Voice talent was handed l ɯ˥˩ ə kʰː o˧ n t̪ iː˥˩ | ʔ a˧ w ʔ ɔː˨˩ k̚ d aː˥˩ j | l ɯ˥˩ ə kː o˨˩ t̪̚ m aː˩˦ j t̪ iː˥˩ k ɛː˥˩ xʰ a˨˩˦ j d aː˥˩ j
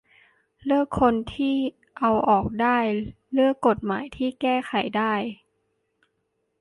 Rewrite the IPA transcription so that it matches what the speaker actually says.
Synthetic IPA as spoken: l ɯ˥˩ ə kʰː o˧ n t̪ʰ iː˥˩ | ʔ a˧ w ʔ ɔː˨˩ k̚ d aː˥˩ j | l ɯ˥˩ ə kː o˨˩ t̪̚ m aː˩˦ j t̪ʰ iː˥˩ k ɛː˥˩ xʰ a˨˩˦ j d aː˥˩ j